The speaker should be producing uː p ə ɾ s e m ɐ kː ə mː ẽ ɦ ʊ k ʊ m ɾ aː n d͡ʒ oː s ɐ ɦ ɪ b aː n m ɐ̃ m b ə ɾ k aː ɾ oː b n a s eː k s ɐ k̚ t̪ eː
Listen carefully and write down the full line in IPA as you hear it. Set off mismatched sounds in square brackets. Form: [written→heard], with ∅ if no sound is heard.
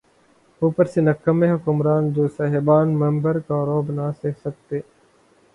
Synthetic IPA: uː p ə ɾ s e [m→n] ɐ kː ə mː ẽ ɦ ʊ k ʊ m ɾ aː n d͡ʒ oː s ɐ ɦ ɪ b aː n m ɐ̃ m b ə ɾ k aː ɾ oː b n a s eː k s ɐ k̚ t̪ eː